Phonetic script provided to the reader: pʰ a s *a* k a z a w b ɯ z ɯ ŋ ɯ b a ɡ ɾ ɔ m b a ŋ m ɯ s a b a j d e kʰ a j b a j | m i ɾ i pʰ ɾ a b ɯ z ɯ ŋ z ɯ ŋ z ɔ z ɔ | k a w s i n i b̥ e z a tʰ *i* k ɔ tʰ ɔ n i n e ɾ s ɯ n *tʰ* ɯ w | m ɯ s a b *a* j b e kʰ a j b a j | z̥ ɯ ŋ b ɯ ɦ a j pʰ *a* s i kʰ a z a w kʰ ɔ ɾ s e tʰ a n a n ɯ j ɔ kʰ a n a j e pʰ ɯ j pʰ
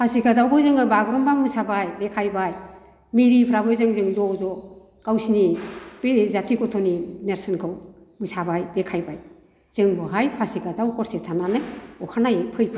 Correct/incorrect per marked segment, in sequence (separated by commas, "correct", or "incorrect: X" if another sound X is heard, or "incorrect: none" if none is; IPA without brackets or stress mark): incorrect: i, correct, incorrect: kʰ, correct, correct